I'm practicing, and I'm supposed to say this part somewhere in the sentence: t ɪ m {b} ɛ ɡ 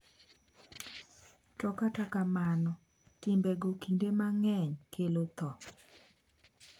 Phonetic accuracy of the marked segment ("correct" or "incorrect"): correct